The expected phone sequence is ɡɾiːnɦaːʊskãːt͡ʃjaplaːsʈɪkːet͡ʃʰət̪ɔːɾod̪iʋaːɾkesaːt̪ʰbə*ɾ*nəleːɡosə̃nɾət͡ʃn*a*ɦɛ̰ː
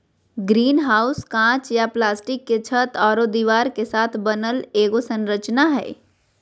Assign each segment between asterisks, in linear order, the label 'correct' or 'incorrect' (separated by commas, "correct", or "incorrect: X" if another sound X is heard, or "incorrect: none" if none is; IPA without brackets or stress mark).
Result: incorrect: none, correct